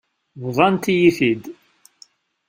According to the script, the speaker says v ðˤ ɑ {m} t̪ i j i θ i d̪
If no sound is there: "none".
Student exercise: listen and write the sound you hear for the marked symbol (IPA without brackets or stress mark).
n